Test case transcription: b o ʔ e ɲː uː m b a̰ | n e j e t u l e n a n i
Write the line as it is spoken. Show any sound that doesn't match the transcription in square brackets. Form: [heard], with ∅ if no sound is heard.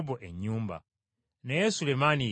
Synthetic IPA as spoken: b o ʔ e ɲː uː m b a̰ | n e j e [s] u l e [m] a n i